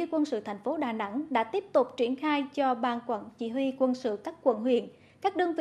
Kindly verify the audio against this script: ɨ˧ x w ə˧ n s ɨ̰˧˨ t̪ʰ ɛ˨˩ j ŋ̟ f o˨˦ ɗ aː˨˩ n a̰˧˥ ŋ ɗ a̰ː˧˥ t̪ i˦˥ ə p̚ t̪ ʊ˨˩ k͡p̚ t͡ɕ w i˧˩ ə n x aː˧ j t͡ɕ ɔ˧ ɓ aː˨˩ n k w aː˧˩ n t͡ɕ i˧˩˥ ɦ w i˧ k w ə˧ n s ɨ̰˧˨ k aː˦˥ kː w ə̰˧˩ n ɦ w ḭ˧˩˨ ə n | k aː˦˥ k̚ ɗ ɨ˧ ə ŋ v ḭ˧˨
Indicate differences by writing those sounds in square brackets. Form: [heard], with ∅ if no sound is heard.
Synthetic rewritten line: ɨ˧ [k] w ə˧ n s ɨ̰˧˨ t̪ʰ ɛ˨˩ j ŋ̟ f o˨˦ ɗ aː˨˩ n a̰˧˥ ŋ ɗ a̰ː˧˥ t̪ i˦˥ ə p̚ t̪ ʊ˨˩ k͡p̚ t͡ɕ w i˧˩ ə n x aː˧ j t͡ɕ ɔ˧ ɓ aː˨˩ n k w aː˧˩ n t͡ɕ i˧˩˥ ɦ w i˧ k w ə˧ n s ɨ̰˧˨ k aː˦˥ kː w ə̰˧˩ n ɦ w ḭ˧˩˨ ə n | k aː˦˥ k̚ ɗ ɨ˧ ə ŋ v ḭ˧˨